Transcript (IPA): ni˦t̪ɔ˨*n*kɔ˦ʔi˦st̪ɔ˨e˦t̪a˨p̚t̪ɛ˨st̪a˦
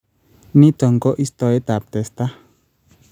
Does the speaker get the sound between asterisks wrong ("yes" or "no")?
yes